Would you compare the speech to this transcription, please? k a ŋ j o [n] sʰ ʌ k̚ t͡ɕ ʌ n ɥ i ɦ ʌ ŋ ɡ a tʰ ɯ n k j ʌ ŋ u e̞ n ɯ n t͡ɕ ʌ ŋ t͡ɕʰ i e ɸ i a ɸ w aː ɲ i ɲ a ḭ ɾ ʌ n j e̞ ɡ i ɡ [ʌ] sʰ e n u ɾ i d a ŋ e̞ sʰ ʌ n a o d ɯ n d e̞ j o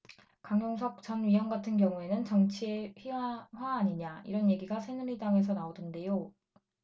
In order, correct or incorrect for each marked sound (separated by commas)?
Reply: incorrect, incorrect